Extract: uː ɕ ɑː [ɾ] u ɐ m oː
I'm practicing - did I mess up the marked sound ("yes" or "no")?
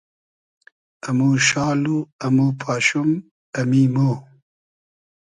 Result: yes